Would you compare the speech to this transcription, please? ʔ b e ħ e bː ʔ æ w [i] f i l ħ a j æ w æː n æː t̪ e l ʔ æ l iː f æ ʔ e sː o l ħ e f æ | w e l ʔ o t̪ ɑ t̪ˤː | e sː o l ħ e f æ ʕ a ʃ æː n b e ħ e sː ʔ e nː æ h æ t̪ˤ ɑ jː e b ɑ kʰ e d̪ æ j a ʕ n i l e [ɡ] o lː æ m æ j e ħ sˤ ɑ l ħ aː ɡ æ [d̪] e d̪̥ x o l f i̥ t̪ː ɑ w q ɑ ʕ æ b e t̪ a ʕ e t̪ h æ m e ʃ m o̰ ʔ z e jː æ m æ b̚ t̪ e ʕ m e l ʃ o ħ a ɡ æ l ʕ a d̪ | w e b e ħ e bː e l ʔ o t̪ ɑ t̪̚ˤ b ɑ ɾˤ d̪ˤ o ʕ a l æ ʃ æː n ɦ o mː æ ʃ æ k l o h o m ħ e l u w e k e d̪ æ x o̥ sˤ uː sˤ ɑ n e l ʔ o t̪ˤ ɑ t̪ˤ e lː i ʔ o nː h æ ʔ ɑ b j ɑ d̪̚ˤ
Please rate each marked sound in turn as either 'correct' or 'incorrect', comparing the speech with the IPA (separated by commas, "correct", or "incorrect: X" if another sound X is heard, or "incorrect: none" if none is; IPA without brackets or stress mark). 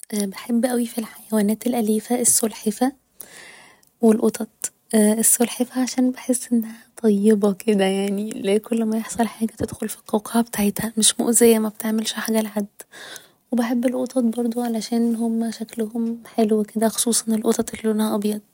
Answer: correct, incorrect: k, incorrect: t̪